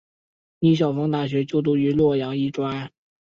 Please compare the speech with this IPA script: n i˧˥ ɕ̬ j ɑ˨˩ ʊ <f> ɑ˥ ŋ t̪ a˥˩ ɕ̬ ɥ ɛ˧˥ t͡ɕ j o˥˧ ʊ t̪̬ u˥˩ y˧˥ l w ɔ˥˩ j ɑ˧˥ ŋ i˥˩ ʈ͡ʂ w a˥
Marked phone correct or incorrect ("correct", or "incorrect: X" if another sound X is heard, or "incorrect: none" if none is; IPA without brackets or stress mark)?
correct